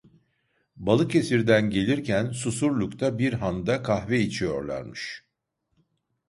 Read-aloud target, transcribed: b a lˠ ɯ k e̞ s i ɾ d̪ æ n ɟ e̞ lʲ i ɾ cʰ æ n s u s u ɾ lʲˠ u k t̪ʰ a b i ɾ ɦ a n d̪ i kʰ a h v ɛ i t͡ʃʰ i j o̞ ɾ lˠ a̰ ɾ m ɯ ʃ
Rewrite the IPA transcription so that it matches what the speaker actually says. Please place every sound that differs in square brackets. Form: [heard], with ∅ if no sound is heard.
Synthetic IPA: b a lˠ ɯ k e̞ s i ɾ d̪ æ n ɟ e̞ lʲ i ɾ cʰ æ n s u s u ɾ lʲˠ u k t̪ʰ a b i ɾ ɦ a n d̪ [a] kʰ a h v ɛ i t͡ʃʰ i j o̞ ɾ lˠ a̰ ɾ m ɯ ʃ